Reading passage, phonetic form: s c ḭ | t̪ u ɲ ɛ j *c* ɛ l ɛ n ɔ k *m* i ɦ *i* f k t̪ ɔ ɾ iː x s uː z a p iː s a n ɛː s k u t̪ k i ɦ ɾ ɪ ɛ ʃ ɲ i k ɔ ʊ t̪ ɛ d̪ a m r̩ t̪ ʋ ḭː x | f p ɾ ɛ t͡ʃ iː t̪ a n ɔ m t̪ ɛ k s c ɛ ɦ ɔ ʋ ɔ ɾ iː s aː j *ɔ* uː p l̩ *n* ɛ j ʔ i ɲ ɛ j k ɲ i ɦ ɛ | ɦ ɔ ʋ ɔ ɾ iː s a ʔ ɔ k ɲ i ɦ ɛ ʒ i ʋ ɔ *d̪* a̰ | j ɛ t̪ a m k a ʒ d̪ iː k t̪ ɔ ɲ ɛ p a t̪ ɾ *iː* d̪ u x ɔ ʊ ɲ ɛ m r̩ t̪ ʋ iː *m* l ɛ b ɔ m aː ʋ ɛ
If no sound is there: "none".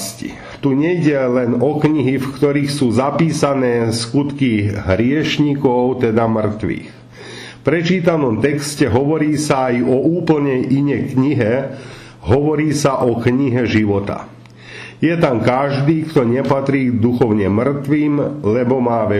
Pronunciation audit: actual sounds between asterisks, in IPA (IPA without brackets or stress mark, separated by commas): ɟ, ɲ, i, ɔ, ɲ, t̪, iː, m